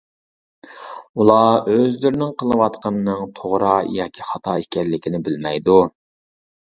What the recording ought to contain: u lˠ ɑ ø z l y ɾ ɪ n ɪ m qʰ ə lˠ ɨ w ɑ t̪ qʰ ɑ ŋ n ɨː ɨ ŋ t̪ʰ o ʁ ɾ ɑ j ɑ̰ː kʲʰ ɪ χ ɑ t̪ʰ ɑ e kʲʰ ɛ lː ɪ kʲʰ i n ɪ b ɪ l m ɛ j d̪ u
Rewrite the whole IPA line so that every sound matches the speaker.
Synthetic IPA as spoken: u lˠ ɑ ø z l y ɾ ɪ n ɪ ŋ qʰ ə lˠ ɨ w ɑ t̪ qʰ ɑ n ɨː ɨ ŋ t̪ʰ o ʁ ɾ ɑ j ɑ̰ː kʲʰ i χ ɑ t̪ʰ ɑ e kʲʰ ɛ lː ɪ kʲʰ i n ɪ b ɪ l m ɛ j d̪ u